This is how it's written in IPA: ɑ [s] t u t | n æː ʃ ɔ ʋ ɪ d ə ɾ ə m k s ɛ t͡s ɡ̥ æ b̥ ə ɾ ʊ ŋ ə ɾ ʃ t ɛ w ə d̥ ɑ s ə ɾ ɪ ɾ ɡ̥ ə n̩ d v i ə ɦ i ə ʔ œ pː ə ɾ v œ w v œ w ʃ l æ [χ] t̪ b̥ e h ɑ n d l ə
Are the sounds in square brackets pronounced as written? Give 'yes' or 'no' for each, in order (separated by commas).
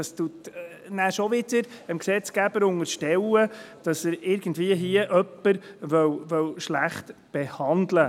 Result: yes, yes